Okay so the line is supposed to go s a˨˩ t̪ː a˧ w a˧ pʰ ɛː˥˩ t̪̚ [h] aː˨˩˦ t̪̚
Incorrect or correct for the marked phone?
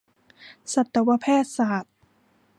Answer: incorrect: s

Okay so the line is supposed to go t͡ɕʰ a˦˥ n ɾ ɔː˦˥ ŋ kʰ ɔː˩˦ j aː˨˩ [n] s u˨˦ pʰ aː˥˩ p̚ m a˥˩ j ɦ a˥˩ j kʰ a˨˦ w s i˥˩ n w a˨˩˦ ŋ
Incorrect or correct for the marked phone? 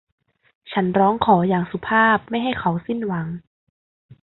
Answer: incorrect: ŋ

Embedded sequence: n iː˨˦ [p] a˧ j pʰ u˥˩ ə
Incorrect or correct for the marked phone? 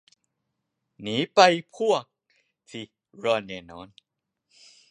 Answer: correct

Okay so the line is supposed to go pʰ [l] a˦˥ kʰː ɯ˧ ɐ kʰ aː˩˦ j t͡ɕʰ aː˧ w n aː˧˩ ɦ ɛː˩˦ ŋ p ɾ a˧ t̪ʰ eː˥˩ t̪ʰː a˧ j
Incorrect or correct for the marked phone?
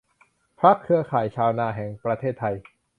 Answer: incorrect: ɾ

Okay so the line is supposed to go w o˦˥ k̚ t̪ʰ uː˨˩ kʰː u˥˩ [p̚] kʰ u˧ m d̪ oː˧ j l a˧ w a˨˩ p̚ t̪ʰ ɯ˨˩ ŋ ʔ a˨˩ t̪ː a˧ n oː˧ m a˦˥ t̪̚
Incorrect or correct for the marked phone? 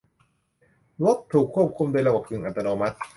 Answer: correct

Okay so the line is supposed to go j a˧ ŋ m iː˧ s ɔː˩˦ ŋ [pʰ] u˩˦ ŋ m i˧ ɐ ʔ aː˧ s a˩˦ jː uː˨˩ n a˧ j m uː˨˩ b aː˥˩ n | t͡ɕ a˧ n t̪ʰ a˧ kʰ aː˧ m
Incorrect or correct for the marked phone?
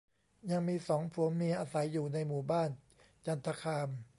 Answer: correct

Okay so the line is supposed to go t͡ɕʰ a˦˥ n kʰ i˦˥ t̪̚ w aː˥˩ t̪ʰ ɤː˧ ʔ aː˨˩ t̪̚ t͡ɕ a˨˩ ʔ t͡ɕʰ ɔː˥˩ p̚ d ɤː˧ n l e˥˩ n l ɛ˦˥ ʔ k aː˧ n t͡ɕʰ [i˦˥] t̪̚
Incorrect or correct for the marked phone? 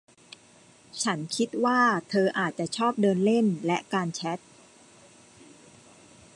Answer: incorrect: ɛ˦˥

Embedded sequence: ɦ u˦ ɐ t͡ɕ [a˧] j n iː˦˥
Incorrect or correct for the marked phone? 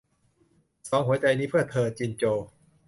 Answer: correct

